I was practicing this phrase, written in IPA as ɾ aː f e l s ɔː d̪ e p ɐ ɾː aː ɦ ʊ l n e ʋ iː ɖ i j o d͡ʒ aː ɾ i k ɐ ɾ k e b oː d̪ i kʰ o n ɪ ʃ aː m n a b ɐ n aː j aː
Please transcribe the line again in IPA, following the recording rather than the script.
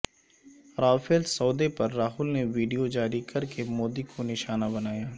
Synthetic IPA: ɾ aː f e l s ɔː d̪ e p ɐ ɾː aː ɦ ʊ l n e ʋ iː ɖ i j o d͡ʒ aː ɾ i k ɐ ɾ k e m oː d̪ i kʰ o n ɪ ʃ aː n a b ɐ n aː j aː